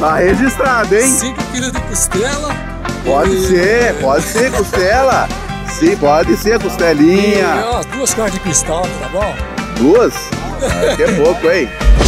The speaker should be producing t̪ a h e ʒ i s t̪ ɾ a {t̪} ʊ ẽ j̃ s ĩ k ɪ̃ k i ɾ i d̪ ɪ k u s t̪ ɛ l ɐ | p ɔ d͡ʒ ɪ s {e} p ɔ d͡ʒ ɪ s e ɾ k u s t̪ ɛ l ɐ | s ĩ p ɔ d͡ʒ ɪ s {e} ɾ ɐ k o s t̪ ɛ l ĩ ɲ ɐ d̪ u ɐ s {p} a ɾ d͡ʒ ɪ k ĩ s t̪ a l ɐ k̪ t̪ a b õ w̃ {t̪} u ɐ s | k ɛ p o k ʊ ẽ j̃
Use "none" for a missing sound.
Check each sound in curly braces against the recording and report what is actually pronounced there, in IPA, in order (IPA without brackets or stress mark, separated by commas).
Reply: d̪, e, e, k, d̪